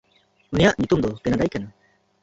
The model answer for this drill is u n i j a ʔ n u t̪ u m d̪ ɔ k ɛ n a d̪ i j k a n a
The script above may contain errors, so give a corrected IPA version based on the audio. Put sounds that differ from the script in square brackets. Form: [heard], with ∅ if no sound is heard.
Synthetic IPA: u n i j a ʔ [ɲ] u t̪ u m d̪ ɔ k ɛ n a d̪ [a] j k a n a